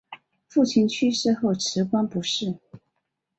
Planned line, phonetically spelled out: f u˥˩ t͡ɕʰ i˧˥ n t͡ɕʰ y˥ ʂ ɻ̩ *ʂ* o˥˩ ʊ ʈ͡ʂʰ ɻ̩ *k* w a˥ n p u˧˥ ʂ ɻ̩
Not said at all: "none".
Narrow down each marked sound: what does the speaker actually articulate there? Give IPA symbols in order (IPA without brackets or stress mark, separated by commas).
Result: x, k